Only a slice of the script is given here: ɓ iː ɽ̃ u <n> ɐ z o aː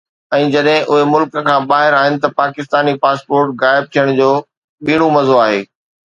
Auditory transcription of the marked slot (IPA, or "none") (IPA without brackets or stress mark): m